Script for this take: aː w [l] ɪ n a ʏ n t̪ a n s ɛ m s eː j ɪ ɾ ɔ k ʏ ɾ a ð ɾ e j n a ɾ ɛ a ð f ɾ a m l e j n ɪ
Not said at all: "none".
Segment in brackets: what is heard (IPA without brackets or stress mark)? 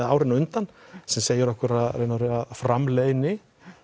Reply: ɾ